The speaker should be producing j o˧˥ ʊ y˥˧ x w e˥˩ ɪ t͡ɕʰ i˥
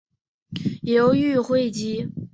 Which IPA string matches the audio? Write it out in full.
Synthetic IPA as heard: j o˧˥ ʊ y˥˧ x w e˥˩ ɪ t͡ɕ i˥